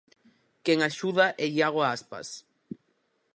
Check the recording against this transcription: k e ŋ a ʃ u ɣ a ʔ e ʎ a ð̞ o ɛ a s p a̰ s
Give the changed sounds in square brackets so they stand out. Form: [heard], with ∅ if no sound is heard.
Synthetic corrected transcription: k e ŋ a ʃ u [ð] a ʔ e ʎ a [ɣ̞] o [a] a s p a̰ s